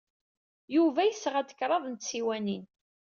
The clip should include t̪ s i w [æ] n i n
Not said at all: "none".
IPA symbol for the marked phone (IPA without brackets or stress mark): æ